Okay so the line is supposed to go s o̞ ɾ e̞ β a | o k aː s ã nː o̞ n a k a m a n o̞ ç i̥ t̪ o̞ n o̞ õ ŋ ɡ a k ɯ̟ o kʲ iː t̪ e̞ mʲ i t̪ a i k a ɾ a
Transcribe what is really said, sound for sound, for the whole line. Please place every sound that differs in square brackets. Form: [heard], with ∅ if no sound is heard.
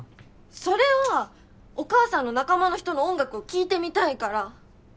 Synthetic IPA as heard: s o̞ ɾ e̞ β a | o k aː s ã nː o̞ n a k a m a n o̞ ç i̥ t̪ o̞ n o̞ õ ŋ ɡ a k ɯ̟ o kʲ iː t̪ e̞ mʲ i t̪ a i k a ɾ a

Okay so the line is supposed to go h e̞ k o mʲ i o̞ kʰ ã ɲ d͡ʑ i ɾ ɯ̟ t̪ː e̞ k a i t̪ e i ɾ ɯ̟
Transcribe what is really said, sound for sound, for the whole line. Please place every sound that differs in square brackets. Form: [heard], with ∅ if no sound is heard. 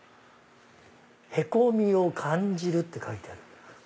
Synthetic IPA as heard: h e̞ k o mʲ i o̞ kʰ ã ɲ d͡ʑ i ɾ ɯ̟ t̪ː e̞ k a i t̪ e [a] ɾ ɯ̟

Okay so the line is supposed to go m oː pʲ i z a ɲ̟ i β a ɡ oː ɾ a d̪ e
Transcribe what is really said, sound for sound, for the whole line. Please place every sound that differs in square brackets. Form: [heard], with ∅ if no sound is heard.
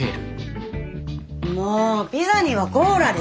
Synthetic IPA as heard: m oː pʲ i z a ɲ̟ i β a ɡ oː ɾ a d̪ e

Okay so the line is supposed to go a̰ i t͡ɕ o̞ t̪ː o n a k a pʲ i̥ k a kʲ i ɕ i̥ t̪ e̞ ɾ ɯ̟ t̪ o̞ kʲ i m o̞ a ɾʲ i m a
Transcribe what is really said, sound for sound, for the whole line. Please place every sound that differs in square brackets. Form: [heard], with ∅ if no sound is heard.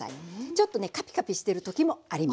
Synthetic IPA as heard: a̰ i t͡ɕ o̞ t̪ː o n [e] k a pʲ i̥ k a [pʲ] i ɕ i̥ t̪ e̞ ɾ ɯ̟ t̪ o̞ kʲ i m o̞ a ɾʲ i m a

